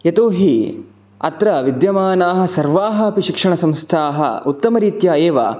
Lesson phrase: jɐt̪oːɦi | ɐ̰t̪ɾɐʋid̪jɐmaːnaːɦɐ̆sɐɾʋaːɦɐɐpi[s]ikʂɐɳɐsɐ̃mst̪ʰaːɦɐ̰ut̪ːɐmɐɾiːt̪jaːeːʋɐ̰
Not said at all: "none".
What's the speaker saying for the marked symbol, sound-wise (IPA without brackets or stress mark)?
ʃ